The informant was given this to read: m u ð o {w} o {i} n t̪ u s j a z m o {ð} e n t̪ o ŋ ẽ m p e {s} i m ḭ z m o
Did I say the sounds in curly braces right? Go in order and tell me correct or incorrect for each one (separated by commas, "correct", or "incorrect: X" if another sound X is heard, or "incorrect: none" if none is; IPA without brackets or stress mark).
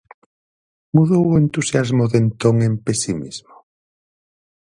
correct, incorrect: e, correct, correct